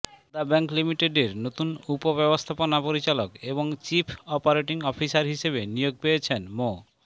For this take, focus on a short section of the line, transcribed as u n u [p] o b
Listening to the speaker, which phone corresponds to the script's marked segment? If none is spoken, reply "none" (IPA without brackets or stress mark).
p